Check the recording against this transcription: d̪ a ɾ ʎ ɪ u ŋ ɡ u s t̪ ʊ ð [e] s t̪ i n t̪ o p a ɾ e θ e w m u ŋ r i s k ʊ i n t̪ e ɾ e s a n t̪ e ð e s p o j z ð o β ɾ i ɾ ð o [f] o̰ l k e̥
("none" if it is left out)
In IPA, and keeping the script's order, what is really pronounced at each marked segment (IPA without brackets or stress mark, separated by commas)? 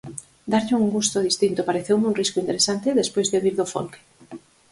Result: i, f